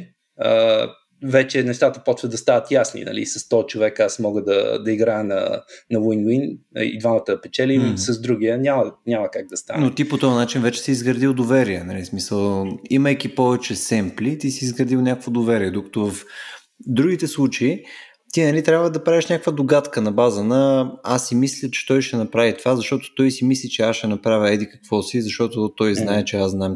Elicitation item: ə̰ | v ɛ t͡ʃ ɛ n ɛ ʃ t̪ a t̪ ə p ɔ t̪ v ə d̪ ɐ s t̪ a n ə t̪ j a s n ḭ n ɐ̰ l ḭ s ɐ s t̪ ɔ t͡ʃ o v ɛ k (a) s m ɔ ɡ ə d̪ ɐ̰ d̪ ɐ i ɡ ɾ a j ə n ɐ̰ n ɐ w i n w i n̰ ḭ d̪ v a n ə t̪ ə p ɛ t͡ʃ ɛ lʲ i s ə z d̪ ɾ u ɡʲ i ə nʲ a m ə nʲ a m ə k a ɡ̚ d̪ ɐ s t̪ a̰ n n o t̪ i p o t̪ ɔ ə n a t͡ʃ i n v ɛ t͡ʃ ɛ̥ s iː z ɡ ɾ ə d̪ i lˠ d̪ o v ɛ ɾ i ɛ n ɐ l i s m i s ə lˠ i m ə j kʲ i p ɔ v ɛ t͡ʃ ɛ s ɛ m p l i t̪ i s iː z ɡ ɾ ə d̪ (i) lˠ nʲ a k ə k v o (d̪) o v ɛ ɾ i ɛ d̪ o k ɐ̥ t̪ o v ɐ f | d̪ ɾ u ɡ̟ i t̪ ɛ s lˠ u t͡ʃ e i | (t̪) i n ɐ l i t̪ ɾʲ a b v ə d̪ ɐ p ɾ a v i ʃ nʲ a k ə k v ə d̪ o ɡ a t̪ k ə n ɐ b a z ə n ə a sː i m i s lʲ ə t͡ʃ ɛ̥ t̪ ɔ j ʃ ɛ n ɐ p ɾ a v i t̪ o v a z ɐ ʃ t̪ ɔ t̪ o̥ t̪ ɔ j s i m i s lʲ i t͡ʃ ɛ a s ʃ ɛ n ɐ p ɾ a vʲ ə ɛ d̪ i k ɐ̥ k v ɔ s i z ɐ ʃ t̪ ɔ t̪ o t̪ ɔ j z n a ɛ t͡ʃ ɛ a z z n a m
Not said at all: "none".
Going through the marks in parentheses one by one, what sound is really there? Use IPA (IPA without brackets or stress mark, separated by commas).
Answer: a, i, d̪, t̪